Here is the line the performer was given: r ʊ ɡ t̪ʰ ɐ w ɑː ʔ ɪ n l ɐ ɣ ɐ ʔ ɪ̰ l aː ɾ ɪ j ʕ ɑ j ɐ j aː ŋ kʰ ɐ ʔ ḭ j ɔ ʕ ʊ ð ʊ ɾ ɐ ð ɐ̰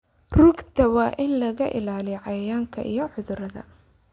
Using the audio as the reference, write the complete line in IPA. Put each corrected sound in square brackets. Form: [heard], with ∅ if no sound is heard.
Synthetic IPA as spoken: r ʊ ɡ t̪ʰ ɐ w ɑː ʔ ɪ n l ɐ ɣ ɐ ʔ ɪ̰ l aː [l] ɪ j ʕ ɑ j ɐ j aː ŋ kʰ ɐ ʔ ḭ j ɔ ʕ ʊ ð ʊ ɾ ɐ ð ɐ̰